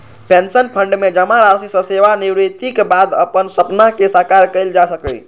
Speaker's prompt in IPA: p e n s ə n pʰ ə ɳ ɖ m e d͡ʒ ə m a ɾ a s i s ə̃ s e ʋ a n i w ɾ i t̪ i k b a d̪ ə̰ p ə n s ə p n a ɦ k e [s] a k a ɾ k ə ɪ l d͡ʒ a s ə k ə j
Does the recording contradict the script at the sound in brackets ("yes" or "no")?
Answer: no